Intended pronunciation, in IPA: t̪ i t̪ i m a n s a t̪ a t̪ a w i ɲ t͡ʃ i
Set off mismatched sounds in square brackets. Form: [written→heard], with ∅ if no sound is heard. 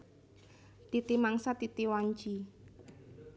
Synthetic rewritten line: t̪ i t̪ i m a [n→ŋ] s a t̪ [a→i] t̪ [a→i] w [i→a] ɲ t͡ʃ i